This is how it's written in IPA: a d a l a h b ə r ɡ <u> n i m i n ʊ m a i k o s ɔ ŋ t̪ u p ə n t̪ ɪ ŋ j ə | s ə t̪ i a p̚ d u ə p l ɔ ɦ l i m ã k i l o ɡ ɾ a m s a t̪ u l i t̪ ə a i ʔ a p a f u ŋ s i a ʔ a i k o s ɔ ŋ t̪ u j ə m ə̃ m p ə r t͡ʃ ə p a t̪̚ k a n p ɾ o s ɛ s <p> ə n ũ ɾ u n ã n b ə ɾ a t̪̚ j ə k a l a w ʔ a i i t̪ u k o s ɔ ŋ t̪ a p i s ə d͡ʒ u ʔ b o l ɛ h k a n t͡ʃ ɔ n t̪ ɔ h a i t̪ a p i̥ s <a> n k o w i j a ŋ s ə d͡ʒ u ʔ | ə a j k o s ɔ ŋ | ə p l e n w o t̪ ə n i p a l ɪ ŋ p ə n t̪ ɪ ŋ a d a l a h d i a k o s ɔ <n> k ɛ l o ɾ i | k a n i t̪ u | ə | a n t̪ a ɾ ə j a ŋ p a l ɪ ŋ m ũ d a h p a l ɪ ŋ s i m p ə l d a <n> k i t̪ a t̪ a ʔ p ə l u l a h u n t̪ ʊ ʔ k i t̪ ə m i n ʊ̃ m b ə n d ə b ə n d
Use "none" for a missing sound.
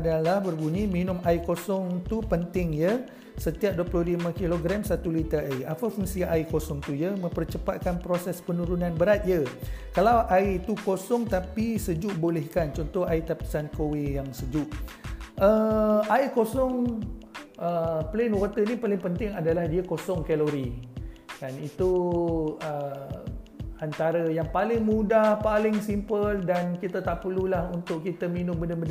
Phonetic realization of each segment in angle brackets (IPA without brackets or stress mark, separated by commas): u, p, a, ŋ, n